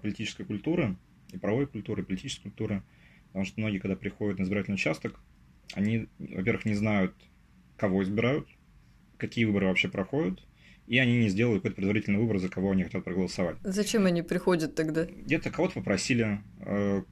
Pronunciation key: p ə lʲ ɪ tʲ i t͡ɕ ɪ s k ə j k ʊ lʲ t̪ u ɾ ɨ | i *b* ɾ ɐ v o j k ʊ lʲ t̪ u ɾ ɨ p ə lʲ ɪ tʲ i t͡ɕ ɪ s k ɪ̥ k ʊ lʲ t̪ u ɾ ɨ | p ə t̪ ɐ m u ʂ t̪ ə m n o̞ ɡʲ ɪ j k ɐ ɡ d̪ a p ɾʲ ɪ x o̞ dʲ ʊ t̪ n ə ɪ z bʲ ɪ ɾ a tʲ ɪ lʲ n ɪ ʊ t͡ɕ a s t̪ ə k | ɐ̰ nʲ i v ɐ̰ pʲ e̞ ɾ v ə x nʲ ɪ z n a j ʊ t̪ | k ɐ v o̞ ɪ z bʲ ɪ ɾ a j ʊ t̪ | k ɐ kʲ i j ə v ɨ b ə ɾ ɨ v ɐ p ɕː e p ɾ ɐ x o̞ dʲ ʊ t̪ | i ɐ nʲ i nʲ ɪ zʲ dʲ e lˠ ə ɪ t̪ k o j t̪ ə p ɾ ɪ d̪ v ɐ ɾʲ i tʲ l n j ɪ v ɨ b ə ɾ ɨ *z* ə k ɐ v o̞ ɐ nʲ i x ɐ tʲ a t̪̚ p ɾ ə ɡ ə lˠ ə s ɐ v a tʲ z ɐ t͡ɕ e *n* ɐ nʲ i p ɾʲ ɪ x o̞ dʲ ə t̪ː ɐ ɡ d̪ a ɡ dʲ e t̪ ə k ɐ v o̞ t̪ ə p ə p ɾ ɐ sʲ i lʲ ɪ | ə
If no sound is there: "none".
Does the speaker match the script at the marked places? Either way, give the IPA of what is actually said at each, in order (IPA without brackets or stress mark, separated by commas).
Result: p, z, m